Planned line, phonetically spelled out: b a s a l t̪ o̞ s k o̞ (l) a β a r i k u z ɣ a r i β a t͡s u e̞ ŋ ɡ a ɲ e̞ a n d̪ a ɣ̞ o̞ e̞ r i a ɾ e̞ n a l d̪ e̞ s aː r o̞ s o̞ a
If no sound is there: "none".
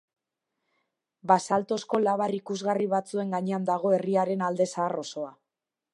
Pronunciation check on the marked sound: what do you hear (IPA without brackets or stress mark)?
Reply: l